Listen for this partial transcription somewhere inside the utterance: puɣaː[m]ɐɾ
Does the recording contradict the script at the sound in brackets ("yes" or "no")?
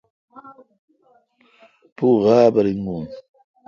yes